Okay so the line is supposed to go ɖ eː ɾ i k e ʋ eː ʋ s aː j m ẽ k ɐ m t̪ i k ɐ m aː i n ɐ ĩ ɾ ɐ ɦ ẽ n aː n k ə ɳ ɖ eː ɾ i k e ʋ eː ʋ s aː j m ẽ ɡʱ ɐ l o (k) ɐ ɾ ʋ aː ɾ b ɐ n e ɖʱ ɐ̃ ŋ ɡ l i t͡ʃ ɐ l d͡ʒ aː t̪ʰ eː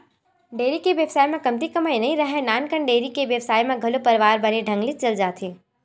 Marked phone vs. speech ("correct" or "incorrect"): incorrect